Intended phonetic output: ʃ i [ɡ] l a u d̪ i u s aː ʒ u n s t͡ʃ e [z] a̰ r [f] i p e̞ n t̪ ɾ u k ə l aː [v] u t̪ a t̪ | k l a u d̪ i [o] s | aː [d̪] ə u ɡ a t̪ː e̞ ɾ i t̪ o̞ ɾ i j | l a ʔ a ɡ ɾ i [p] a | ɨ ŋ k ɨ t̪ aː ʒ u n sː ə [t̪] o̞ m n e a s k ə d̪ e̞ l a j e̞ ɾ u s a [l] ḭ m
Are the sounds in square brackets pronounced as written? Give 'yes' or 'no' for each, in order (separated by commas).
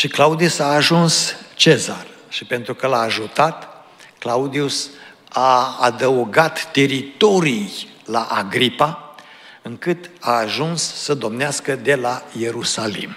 no, yes, no, no, no, yes, yes, no, yes